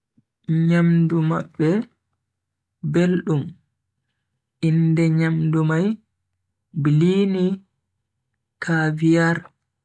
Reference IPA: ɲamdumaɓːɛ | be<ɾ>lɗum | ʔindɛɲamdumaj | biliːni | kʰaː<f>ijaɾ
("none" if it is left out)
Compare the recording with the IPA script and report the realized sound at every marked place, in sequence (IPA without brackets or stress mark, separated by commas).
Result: none, v